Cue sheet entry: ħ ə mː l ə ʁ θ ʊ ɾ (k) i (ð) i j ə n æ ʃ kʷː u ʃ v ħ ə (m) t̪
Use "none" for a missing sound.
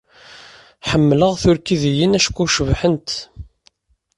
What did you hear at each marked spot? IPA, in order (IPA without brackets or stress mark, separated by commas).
k, ð, n